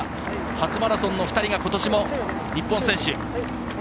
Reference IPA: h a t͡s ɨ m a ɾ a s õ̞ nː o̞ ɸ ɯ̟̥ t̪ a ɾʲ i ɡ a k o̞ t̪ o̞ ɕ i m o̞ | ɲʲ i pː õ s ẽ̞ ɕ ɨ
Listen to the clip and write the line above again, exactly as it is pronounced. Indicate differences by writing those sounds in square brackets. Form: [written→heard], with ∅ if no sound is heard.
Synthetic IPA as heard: h a t͡s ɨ m a ɾ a s õ̞ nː o̞ ɸ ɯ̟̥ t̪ a ɾʲ i ɡ a k o̞ t̪ o̞ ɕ i m o̞ | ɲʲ i pː õ s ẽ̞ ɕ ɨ